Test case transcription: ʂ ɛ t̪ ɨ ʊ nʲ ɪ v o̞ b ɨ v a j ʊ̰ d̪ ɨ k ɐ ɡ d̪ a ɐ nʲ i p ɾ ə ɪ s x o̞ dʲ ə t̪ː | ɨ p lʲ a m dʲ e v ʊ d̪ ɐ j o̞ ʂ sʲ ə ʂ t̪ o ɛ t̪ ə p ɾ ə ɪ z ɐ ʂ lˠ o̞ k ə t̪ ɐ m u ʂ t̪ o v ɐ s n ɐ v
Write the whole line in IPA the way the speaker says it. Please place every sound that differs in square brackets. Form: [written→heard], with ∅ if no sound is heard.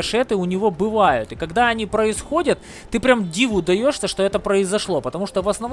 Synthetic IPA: ʂ ɛ t̪ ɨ ʊ nʲ ɪ v o̞ b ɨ v a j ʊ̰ [d̪→t̪] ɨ k ɐ ɡ d̪ a ɐ nʲ i p ɾ ə ɪ s x o̞ dʲ ə t̪ː | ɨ p [lʲ→ɾʲ] a m dʲ [e→i] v ʊ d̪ ɐ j o̞ ʂ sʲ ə ʂ t̪ o ɛ t̪ ə p ɾ ə ɪ z ɐ ʂ lˠ o̞ [k→p] ə t̪ ɐ m u ʂ t̪ o v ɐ s n ɐ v